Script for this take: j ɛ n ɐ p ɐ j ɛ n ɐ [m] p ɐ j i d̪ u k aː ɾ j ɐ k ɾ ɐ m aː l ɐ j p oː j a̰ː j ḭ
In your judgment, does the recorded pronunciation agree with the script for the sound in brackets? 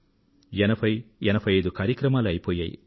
no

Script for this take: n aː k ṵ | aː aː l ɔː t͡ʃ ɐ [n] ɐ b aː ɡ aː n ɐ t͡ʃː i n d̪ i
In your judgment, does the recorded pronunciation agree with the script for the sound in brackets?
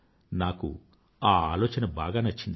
yes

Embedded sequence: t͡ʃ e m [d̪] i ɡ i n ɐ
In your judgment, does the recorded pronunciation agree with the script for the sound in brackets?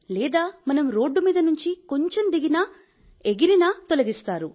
yes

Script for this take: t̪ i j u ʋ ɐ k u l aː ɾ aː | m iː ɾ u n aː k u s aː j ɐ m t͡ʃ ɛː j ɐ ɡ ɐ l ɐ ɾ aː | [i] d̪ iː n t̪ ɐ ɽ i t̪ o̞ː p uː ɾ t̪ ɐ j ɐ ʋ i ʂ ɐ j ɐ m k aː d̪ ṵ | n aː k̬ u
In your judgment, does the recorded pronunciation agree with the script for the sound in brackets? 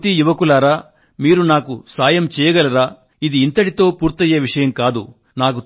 yes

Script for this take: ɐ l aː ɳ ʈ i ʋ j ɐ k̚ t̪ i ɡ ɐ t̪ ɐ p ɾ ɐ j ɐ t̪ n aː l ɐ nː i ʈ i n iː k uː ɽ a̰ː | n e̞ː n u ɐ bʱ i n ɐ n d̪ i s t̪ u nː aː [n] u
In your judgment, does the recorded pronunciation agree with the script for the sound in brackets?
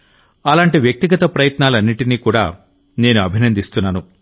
yes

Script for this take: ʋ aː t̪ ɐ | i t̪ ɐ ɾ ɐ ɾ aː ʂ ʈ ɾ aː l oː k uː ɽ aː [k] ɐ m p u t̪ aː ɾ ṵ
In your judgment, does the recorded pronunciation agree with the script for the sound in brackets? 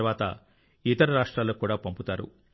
no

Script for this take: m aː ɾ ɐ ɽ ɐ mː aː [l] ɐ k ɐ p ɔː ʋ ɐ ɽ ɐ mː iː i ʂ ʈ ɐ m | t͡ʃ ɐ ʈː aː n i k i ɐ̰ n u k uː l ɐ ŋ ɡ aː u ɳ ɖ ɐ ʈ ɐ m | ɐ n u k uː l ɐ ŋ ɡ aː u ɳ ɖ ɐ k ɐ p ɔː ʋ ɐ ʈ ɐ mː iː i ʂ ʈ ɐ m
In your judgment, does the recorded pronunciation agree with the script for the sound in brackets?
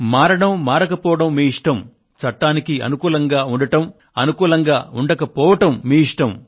no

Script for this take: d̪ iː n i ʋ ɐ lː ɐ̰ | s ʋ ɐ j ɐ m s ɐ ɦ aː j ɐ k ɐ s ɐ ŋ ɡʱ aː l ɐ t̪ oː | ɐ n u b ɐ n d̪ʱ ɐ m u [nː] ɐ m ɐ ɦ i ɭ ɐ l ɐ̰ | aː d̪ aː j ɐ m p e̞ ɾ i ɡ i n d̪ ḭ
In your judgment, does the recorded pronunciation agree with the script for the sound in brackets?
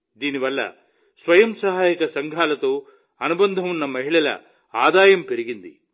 yes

